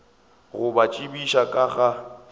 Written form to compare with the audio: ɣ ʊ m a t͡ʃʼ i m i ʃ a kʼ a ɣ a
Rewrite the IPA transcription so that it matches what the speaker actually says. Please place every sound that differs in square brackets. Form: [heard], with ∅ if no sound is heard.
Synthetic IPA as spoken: ɣ ʊ [b] a t͡ʃʼ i [b] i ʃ a kʼ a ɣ a